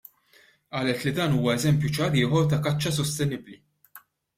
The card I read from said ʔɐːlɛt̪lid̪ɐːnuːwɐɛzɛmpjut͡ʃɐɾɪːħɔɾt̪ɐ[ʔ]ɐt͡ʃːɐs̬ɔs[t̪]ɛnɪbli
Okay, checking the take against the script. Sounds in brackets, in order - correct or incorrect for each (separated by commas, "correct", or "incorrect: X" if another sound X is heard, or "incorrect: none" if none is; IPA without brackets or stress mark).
incorrect: k, correct